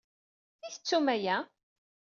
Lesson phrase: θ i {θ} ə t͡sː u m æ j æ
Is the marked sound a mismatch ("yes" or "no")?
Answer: no